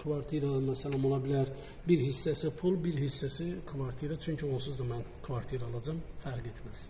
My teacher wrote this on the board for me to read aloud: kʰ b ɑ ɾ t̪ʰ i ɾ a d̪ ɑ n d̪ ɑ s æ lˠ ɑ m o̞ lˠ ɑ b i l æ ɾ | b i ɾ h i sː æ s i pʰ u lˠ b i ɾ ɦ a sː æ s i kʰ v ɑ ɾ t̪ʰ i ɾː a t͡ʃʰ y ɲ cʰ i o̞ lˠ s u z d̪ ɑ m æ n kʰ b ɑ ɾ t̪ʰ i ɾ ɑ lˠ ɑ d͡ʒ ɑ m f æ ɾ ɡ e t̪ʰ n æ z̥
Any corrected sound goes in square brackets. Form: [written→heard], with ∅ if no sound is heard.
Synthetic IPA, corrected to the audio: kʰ [b→v] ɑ ɾ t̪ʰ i ɾ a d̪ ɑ n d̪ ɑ s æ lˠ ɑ m o̞ lˠ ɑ b i l æ ɾ | b i ɾ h i sː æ s i pʰ u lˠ b i ɾ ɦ [a→i] sː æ s i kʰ v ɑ ɾ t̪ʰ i [ɾː→ɾ] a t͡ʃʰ y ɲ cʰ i o̞ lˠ s u z d̪ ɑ m æ n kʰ [b→v] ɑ ɾ t̪ʰ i ɾ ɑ lˠ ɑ d͡ʒ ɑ m f æ ɾ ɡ e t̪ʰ [n→m] æ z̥